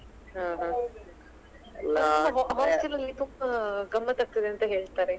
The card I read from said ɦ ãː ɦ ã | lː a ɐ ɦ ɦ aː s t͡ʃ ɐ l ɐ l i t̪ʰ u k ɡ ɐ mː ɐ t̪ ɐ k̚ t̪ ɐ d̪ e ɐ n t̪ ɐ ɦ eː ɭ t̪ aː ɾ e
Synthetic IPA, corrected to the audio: ɦ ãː ɦ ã | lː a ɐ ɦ ɦ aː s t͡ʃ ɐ l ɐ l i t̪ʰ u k ɡ ɐ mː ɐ t̪ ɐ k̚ t̪ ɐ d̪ e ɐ n t̪ ɐ ɦ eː ɭ t̪ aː ɾ e